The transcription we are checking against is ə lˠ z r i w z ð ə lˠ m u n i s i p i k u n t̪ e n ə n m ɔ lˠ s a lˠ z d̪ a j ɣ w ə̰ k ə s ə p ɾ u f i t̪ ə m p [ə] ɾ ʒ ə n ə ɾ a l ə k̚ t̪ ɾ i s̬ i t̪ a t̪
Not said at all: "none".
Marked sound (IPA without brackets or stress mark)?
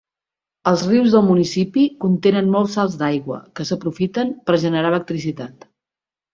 ə